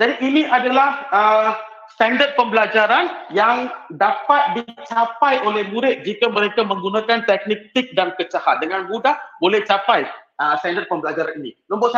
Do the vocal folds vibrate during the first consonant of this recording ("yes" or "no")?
yes